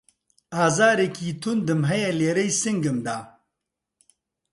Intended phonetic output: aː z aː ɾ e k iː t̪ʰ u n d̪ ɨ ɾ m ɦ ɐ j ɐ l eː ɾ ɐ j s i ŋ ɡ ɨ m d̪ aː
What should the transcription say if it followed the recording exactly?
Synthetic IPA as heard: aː z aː ɾ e k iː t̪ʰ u n d̪ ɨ m ɦ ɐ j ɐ l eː ɾ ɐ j s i ŋ ɡ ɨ m d̪ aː